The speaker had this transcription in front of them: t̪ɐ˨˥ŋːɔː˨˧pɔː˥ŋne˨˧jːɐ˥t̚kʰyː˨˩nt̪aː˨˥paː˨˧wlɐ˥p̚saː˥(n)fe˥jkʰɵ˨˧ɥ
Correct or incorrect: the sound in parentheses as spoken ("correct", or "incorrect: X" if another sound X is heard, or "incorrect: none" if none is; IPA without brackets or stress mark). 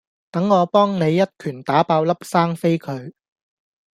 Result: incorrect: ŋ